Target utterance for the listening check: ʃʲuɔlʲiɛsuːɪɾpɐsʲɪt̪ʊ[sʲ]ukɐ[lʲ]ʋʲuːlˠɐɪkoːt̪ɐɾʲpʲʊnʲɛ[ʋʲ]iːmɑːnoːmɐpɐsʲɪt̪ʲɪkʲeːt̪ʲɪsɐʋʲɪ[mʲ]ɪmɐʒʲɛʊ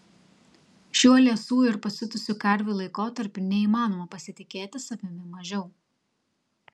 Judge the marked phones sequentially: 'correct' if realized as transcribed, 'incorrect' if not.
correct, incorrect: ɾʲ, incorrect: none, correct

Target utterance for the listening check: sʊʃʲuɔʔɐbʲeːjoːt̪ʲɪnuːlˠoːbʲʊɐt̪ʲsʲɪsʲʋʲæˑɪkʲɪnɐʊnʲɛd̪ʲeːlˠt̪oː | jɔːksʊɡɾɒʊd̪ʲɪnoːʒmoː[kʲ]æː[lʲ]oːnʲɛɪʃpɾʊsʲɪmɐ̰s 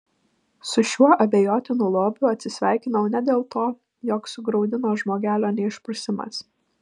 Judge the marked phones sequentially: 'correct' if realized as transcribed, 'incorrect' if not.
incorrect: ɡʲ, correct

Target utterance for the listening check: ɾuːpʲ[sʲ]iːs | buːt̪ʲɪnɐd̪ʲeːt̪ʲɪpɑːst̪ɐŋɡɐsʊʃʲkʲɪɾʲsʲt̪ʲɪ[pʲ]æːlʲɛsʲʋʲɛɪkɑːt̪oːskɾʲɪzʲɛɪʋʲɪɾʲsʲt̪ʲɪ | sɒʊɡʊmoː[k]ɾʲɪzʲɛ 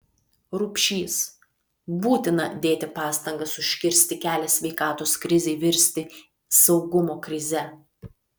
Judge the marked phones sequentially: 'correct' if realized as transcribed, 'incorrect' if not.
incorrect: ʃʲ, incorrect: kʲ, correct

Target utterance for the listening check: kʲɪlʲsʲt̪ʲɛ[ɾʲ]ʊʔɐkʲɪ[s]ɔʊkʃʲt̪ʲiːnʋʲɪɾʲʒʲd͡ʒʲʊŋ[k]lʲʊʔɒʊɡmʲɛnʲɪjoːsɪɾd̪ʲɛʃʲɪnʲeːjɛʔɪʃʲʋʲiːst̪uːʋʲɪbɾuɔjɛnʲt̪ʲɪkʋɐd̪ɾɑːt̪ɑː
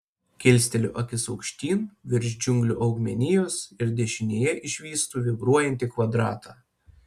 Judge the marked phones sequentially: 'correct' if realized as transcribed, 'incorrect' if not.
incorrect: lʲ, correct, incorrect: ɡ

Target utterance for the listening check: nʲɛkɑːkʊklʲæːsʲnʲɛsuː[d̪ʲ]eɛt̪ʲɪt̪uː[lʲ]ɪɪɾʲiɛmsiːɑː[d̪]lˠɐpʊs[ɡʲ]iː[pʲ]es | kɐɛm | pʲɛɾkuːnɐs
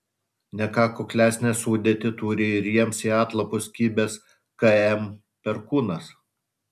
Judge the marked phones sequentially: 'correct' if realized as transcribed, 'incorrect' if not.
correct, incorrect: ɾʲ, incorrect: t̪, incorrect: kʲ, incorrect: bʲ

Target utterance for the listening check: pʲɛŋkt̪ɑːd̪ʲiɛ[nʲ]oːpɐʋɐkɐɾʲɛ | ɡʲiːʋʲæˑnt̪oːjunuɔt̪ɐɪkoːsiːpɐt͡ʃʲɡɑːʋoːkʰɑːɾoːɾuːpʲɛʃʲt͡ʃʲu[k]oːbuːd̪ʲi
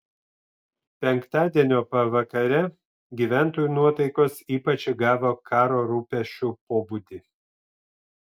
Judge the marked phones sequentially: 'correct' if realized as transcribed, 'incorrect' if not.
correct, incorrect: p

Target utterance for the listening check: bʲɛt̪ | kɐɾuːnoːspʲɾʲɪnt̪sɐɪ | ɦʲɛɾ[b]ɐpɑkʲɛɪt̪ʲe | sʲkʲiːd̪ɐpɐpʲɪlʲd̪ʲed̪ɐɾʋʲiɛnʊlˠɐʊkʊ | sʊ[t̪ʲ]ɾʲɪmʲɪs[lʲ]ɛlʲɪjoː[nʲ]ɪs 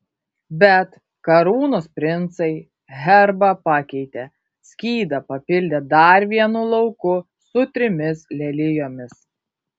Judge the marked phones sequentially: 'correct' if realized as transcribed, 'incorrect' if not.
correct, correct, correct, incorrect: mʲ

